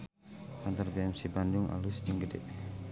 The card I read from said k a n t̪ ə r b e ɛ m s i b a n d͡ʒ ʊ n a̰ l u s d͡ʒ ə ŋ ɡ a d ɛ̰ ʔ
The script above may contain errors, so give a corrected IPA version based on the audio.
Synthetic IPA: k a n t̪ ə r b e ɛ m s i b a n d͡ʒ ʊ ŋ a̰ l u s d͡ʒ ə ŋ ɡ ə d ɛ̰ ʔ